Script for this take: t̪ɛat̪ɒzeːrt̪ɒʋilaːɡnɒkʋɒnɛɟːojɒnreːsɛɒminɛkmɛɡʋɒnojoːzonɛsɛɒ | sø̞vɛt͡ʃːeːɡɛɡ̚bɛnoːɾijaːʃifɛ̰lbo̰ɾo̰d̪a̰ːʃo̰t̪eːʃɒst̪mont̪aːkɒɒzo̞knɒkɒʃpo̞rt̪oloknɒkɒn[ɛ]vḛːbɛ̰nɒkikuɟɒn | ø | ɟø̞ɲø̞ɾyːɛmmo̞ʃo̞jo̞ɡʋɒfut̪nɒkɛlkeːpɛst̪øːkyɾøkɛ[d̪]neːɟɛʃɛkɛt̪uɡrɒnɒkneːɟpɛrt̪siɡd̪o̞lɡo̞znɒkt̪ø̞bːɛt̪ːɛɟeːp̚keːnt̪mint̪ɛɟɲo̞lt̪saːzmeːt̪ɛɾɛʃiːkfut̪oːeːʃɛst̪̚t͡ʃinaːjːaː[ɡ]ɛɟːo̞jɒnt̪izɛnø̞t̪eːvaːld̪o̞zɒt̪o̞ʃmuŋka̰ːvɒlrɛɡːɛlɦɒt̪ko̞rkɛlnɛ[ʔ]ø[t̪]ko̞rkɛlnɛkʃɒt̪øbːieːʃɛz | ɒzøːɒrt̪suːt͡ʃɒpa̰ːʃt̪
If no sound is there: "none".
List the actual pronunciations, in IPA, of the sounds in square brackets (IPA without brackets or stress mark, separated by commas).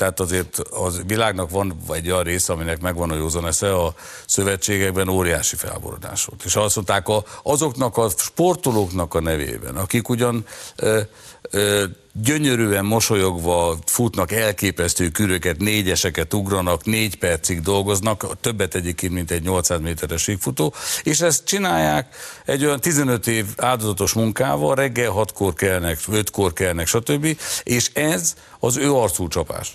ɛ, t̪, k, k, t̪